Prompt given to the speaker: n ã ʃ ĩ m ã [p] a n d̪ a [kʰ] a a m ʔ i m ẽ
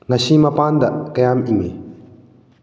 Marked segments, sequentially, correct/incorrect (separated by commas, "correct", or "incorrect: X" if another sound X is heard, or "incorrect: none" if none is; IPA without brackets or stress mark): correct, incorrect: k